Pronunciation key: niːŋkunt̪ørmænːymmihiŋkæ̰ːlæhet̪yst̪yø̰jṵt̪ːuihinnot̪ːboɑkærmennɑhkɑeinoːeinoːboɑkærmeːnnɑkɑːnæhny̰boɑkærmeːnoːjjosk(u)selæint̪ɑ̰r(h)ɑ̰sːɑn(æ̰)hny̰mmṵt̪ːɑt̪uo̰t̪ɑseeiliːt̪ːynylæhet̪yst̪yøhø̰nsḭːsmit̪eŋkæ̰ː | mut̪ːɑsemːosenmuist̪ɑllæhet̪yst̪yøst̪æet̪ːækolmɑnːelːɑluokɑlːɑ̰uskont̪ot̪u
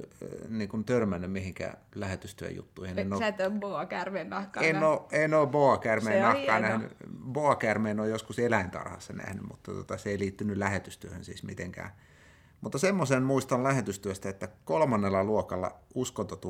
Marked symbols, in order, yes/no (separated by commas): yes, yes, yes